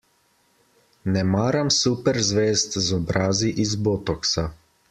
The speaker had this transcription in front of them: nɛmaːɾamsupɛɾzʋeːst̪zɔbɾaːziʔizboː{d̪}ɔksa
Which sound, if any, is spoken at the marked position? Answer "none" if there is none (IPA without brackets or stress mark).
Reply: t̪